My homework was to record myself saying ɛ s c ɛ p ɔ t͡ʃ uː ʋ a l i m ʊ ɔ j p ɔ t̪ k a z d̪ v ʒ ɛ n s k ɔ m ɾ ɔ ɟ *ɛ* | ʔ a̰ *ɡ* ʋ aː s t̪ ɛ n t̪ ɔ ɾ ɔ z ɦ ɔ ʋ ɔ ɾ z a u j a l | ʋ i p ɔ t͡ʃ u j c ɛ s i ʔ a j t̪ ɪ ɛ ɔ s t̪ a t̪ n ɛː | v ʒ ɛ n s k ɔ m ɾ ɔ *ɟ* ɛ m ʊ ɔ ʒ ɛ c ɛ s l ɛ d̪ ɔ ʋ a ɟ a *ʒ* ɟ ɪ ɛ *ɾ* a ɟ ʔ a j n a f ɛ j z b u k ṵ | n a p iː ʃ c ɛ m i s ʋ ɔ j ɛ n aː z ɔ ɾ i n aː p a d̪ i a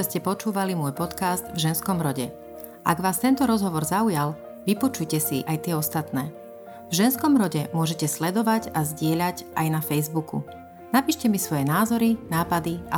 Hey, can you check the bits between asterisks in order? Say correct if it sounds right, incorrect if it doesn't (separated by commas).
correct, correct, correct, incorrect, incorrect